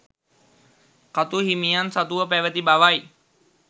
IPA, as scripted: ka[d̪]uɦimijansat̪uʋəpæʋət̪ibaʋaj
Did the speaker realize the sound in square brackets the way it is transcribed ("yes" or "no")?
no